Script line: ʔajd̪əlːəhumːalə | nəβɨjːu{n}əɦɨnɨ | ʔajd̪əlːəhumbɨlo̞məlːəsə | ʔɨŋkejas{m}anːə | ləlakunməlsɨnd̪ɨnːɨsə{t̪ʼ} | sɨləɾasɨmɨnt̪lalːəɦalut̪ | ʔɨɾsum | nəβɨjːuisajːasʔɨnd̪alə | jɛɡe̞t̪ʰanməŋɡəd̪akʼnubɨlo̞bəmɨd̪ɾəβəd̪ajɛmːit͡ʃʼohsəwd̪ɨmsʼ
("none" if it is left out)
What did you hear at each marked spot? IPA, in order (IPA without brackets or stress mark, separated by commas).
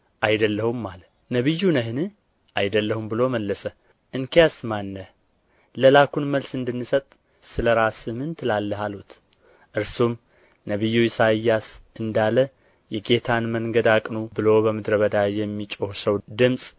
n, m, t̪ʼ